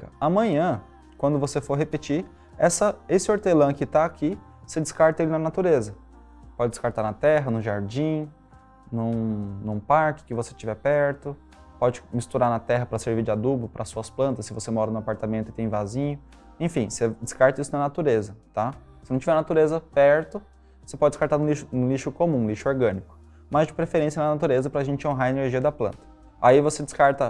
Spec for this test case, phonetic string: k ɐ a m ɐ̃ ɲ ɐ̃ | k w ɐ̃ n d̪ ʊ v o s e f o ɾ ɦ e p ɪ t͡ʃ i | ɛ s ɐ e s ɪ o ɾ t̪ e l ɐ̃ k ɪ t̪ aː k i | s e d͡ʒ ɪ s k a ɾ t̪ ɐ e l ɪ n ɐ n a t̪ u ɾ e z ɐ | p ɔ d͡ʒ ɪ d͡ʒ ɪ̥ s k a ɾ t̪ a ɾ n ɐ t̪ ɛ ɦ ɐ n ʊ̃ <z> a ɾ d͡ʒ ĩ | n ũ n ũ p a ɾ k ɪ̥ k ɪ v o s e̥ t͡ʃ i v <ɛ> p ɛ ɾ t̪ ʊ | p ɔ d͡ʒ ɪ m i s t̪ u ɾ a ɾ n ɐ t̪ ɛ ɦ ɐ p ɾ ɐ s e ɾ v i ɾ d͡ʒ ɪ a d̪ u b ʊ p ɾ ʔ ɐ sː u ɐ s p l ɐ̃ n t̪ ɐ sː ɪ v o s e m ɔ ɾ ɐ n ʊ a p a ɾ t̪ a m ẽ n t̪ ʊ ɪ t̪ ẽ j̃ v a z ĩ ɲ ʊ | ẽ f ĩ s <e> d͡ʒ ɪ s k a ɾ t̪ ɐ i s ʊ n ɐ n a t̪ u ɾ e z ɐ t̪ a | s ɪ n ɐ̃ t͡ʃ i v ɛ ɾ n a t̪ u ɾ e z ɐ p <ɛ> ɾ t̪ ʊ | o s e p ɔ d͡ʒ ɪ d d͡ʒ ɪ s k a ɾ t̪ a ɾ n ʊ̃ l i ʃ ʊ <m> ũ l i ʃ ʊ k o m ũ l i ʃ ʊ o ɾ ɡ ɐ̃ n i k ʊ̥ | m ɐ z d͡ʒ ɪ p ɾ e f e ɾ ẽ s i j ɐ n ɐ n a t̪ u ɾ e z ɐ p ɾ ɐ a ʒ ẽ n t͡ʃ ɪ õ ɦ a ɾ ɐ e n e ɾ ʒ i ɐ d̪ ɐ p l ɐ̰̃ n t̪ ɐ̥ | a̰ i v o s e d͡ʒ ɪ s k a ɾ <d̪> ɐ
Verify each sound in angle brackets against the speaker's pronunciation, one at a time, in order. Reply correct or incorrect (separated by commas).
incorrect, correct, correct, correct, incorrect, incorrect